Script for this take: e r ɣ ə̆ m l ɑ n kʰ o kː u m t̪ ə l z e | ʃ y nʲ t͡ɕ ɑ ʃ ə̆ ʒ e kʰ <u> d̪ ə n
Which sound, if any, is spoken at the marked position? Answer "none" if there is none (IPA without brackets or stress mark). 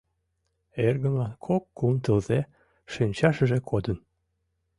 o